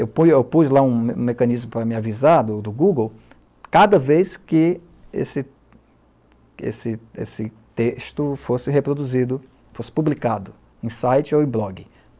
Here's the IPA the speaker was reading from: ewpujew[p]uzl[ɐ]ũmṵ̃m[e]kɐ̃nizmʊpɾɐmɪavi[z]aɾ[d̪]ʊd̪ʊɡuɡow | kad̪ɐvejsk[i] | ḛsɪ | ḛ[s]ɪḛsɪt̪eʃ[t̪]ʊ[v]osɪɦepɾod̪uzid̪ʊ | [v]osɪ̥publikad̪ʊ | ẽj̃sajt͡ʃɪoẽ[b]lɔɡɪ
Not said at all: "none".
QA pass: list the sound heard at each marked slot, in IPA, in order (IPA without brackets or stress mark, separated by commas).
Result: p, a, e, z, d̪, ɪ, s, t̪, f, f, b